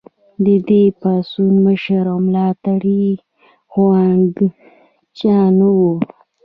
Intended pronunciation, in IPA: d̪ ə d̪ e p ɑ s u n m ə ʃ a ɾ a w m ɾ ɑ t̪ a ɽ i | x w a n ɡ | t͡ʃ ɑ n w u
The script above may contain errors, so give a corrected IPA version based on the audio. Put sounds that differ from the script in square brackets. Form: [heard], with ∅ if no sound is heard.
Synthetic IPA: d̪ ə d̪ e p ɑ s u n m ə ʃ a ɾ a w m [l] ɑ t̪ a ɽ i | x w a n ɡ | t͡ʃ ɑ n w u